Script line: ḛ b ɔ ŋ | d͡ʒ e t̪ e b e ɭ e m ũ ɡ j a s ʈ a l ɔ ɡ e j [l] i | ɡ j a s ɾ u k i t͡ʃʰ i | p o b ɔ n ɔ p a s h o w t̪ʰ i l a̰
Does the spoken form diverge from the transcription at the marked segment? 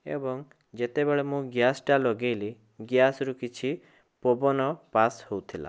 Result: no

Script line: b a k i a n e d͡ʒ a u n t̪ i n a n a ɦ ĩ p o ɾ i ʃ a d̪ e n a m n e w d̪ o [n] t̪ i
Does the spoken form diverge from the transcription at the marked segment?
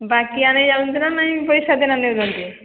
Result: no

